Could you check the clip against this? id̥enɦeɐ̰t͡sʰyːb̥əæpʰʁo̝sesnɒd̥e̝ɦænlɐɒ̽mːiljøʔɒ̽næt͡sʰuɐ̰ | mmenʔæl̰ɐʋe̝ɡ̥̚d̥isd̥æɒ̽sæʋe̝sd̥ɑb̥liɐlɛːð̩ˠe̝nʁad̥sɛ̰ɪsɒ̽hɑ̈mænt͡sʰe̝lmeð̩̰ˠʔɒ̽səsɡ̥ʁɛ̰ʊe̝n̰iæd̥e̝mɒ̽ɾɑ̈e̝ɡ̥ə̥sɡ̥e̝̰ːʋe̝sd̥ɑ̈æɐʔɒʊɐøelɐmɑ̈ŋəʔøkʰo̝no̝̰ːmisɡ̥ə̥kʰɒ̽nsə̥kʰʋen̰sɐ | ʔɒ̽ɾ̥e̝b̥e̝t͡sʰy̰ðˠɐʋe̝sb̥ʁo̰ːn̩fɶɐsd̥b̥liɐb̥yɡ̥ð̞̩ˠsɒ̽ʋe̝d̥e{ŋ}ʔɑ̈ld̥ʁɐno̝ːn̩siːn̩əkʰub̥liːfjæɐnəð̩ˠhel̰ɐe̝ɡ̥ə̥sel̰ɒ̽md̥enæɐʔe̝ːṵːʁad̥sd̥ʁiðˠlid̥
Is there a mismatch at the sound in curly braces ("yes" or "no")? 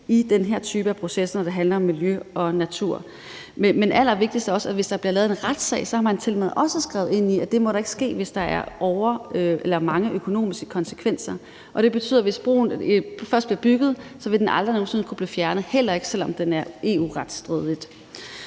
yes